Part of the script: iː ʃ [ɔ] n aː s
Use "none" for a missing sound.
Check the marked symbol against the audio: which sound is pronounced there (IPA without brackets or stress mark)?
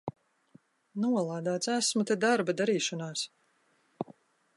ɔ